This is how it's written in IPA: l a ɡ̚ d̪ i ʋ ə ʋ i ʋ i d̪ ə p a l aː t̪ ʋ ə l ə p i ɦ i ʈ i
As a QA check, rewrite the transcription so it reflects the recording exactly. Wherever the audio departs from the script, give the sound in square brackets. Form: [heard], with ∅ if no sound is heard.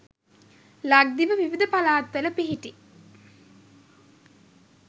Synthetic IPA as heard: l a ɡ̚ d̪ i ʋ ə ʋ i ʋ i d̪ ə p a l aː t̪ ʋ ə l ə p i ɦ i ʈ i